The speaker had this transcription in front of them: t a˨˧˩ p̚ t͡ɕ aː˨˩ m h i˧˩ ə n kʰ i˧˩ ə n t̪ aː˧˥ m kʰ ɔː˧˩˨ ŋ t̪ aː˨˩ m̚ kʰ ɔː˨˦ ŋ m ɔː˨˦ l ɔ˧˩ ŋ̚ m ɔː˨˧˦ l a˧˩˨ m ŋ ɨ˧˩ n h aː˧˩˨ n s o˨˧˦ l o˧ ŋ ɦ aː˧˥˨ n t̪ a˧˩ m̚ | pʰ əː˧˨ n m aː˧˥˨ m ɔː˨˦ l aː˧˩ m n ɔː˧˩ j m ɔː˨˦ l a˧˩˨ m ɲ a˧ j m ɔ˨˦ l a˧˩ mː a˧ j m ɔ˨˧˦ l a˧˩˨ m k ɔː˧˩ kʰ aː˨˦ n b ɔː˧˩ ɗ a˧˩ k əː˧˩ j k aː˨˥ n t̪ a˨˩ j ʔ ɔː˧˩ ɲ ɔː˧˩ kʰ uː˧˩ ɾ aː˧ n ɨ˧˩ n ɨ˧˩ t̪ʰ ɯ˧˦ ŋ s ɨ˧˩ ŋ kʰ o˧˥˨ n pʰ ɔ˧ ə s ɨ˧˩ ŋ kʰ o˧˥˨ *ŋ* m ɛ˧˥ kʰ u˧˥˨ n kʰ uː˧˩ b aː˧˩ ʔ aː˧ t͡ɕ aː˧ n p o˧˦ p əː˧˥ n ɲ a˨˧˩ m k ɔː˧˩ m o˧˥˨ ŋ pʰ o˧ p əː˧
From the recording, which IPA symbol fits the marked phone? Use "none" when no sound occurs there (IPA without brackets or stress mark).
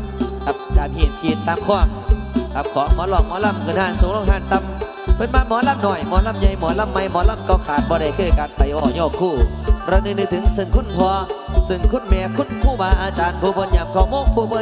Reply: n